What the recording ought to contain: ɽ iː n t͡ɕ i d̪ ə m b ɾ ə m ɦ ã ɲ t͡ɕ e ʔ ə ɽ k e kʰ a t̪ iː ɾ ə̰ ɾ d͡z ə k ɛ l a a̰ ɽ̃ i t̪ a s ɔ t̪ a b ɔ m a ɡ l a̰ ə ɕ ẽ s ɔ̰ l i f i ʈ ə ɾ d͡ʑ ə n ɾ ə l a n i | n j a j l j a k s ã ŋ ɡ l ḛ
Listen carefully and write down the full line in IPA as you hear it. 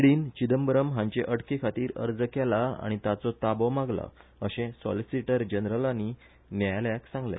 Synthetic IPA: ɽ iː n t͡ɕ i d̪ ə m b ɾ ə m ɦ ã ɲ t͡ɕ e ʔ ə ɽ k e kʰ a t̪ iː ɾ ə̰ ɾ d͡z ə k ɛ l a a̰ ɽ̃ i t̪ a t͡s ɔ t̪ a b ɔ m a ɡ l a̰ ə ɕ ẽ s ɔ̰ l i s i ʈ ə ɾ d͡ʑ ə n ɾ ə l a n i | n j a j l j a k s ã ŋ ɡ l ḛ

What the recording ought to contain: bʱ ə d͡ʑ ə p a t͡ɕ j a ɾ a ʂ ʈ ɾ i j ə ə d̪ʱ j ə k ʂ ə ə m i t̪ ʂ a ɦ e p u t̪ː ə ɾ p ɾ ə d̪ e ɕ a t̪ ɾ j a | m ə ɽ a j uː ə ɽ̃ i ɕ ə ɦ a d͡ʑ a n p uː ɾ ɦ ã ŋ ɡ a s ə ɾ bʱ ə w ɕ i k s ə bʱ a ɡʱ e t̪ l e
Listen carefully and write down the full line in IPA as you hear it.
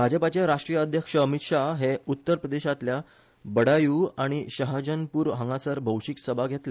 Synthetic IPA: bʱ a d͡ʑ ə p a t͡ɕ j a ɾ a ʂ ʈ ɾ i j ə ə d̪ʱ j ə k ʂ ə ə m i t̪ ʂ a ɦ e u t̪ː ə ɾ p ɾ ə d̪ e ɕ a t̪ l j a | b ə ɽ a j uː a ɽ̃ i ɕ ə ɦ a d͡ʑ ə n p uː ɾ ɦ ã ŋ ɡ a s ə ɾ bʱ ə w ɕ i k s ə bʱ a ɡʱ e t̪ l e

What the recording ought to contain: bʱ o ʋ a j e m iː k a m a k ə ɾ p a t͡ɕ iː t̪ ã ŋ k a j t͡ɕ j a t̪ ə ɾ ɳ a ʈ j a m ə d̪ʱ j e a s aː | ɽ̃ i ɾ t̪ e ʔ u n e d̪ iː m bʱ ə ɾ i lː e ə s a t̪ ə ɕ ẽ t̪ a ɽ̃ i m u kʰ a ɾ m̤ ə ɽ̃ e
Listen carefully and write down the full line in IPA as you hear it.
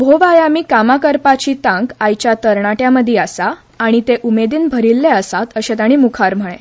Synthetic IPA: bʱ o ʋ a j a m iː k a m a k ə ɾ p a t͡ɕ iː t̪ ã ŋ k a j t͡ɕ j a t̪ ə ɾ ɳ a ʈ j a m ə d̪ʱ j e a s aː | ɽ̃ i t̪ e ʔ u m e d̪ iː n bʱ ə ɾ i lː e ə s a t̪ ə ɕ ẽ t̪ a ɽ̃ i m u kʰ a ɾ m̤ ə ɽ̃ e

